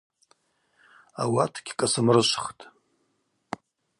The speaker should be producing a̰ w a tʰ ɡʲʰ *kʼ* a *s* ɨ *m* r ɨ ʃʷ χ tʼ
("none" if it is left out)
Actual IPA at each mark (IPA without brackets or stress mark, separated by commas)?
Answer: kʼ, s, m